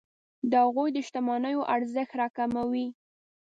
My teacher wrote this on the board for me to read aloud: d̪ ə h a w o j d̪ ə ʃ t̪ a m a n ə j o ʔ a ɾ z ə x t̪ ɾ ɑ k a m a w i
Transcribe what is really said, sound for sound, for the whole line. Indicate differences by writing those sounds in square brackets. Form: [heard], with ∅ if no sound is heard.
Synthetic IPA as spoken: d̪ ə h a [ɣ] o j d̪ ə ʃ t̪ a m [ɑ] n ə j o ʔ a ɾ z ə x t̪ ɾ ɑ k a m a w i